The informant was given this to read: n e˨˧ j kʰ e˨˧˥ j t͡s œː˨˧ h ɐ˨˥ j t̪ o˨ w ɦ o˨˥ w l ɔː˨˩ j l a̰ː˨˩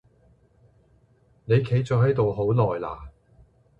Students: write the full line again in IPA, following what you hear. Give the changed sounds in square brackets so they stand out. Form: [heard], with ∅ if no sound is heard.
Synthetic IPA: n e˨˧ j kʰ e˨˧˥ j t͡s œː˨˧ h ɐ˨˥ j t̪ o˨ w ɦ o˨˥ w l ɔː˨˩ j l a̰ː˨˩